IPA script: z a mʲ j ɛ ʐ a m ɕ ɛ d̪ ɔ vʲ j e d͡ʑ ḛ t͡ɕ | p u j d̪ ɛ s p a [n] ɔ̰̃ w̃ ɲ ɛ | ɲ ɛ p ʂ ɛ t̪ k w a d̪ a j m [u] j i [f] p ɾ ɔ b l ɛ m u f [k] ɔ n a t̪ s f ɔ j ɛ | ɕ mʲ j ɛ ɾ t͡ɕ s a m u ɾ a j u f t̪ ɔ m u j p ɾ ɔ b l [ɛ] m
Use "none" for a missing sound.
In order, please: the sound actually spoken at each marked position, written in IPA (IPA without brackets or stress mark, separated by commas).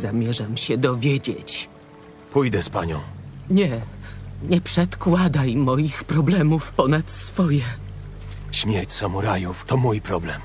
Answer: ɲ, ɔ, x, p, ɛ